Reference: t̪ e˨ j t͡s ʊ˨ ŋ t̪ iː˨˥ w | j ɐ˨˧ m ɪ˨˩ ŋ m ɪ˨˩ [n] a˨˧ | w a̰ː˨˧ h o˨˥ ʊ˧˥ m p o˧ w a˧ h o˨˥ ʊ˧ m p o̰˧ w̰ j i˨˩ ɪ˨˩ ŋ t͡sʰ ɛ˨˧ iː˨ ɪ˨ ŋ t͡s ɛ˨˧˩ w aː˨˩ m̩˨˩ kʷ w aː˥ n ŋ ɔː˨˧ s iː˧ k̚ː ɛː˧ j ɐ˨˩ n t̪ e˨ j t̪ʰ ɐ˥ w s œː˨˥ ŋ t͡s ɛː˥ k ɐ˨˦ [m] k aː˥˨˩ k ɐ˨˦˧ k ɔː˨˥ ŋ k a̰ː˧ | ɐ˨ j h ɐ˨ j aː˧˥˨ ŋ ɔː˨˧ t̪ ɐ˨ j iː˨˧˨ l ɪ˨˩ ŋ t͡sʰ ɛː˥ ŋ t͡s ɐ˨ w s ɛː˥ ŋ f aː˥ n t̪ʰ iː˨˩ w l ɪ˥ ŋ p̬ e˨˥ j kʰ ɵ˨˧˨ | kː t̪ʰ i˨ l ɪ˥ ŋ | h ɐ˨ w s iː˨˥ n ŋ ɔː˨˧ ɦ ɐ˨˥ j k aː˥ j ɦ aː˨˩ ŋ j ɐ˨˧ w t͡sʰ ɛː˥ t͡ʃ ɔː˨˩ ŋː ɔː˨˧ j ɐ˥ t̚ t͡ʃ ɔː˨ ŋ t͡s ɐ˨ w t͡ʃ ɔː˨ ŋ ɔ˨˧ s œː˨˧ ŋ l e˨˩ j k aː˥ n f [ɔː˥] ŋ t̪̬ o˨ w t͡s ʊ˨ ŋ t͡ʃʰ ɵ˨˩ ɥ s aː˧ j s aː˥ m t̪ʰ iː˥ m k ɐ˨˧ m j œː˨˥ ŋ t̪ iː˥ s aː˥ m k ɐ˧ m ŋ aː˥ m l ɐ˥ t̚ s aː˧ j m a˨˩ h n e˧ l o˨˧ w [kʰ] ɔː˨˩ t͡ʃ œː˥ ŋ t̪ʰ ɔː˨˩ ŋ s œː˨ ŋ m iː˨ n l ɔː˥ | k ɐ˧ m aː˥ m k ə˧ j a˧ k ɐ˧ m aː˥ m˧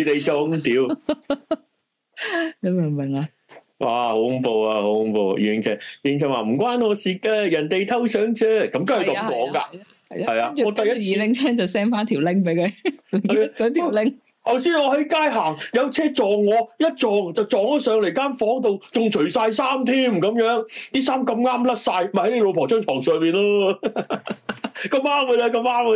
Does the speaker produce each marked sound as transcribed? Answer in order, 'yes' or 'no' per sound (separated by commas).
no, yes, no, no